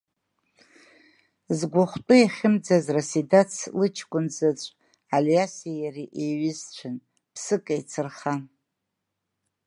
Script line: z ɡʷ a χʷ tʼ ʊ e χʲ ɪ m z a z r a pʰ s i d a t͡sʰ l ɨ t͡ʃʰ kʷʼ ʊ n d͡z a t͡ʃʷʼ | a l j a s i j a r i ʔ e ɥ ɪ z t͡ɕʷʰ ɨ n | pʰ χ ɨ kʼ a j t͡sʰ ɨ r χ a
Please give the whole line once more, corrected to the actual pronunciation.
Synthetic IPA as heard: z ɡʷ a χʷ tʼ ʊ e χʲ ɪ m d͡z a z r a s i d a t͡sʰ l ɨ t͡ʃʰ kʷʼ ʊ n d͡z a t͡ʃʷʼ | a l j a s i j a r i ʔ e ɥ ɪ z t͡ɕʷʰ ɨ n | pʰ s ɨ kʼ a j t͡sʰ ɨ r χ a